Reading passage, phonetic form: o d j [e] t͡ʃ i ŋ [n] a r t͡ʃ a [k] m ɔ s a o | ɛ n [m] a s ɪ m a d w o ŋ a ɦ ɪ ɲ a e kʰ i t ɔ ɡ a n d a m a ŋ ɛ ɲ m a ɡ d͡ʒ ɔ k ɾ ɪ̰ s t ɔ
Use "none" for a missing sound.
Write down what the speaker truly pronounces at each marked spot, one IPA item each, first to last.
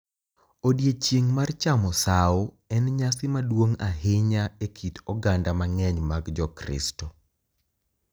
e, m, none, ɲ

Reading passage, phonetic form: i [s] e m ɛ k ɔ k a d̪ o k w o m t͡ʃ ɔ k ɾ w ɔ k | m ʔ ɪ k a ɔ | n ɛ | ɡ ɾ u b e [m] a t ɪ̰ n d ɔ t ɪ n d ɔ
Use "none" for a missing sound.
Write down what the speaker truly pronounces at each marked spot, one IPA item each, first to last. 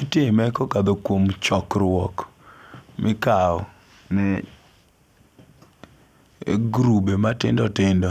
t, m

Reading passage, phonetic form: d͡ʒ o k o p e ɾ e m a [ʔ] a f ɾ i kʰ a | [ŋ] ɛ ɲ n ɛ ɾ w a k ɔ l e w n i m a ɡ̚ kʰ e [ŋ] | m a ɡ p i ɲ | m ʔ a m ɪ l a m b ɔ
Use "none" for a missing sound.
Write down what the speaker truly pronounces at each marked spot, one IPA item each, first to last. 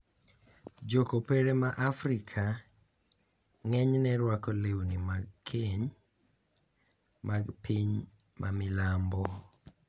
ʔ, ŋ, ɲ

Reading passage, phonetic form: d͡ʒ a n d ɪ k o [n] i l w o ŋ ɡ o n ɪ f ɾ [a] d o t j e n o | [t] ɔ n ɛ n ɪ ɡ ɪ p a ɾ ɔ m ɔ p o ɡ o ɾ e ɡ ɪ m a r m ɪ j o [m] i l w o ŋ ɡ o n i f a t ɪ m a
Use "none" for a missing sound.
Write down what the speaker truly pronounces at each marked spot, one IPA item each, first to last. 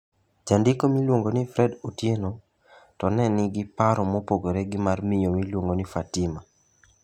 m, ɛ, t, m

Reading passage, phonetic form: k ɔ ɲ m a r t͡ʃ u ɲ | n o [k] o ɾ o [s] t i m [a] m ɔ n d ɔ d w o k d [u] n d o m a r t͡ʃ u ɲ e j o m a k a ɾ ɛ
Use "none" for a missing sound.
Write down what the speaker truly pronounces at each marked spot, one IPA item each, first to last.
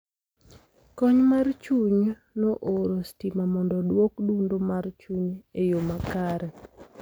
ʔ, s, a, u

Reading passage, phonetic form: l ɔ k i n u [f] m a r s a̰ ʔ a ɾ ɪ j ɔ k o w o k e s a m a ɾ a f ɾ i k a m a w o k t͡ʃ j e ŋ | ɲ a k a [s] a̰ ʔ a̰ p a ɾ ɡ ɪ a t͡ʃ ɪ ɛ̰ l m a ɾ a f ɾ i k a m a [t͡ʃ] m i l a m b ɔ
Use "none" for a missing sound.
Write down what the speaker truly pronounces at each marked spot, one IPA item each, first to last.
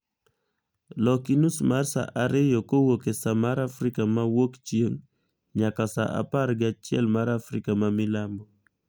s, s, none

